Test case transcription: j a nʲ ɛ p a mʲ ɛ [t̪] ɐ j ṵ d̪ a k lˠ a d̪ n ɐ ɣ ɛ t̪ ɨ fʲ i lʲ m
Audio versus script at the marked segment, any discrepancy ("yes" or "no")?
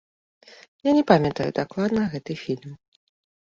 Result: no